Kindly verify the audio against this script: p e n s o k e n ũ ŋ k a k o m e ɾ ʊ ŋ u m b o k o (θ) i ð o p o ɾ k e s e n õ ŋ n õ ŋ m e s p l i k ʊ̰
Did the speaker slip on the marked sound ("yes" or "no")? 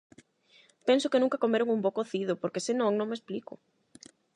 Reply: no